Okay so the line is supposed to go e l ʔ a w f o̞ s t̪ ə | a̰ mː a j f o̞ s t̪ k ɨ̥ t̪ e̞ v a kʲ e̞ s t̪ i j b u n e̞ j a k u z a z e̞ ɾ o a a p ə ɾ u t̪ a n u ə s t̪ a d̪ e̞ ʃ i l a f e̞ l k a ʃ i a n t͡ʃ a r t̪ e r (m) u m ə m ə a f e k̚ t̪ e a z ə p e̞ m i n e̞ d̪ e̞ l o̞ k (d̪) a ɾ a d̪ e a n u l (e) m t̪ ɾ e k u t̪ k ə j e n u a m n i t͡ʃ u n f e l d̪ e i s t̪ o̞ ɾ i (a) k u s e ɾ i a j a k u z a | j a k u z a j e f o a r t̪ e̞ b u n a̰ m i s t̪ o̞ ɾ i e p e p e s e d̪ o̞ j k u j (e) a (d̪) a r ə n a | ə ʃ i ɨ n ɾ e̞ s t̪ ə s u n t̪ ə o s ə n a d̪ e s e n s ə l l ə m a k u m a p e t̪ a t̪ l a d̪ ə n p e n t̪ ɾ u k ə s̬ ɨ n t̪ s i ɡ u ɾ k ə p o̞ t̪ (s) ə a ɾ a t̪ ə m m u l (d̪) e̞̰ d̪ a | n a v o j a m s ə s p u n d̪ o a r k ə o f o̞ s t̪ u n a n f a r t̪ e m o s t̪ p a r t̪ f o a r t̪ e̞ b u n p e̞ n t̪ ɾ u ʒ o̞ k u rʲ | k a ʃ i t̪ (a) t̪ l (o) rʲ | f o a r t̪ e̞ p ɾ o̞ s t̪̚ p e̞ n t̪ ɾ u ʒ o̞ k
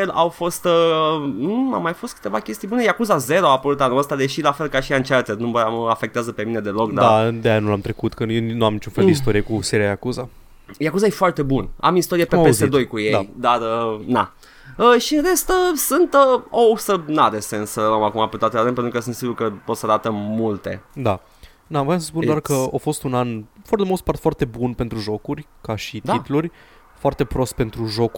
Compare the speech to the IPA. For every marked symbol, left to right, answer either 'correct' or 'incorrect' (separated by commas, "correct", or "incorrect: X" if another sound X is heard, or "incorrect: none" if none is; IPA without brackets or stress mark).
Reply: incorrect: n, correct, incorrect: a, incorrect: e, correct, correct, correct, incorrect: t̪, incorrect: i, incorrect: u